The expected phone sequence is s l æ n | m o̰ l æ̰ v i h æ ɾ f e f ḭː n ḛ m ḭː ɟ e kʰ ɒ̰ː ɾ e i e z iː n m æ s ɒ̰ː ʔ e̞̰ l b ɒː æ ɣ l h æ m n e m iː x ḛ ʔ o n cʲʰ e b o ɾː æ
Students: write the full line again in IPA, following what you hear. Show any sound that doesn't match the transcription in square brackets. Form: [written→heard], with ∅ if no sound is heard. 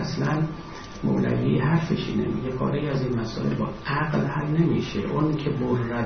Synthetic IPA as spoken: s l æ n | m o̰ l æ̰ v i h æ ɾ f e [f→ʃ] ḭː n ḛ m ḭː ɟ e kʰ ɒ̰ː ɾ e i [e→æ] z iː n m æ s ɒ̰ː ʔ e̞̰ l b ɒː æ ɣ l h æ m n e m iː [x→ʃ] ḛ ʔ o n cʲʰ e b o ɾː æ